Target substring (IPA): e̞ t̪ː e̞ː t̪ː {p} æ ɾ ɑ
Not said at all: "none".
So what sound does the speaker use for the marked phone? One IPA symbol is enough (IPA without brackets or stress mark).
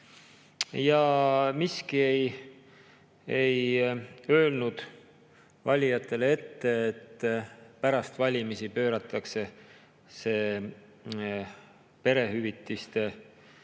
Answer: p